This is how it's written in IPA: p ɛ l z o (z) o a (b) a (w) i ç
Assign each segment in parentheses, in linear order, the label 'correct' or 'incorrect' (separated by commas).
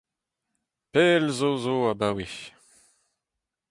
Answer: correct, correct, correct